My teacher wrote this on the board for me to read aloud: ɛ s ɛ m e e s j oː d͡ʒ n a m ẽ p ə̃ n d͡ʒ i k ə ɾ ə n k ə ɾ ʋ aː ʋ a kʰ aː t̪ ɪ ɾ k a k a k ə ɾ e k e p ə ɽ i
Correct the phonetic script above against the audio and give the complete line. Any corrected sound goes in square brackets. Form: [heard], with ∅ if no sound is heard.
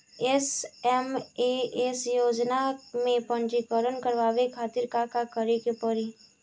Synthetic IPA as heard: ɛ s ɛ m e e s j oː d͡ʒ n a m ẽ p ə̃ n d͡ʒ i k ə ɾ ə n k ə ɾ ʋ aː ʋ [e] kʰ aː t̪ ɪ ɾ k a k a k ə ɾ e k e p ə [ɾ] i